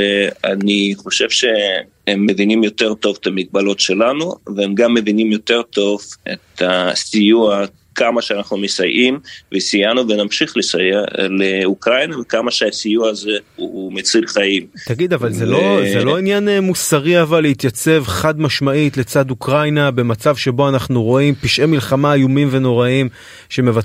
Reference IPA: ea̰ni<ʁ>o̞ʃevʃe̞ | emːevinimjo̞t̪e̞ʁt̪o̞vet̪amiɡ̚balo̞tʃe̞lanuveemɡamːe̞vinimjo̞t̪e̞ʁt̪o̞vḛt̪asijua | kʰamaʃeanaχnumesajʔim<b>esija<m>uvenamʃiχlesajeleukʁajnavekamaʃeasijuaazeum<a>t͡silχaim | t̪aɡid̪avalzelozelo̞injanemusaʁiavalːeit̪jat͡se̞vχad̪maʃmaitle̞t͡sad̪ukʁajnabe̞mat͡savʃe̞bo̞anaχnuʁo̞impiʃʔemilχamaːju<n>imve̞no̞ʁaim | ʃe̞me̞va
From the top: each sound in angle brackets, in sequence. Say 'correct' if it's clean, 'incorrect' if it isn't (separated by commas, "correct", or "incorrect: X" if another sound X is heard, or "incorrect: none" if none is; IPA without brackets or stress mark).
incorrect: χ, incorrect: v, incorrect: n, incorrect: e, incorrect: m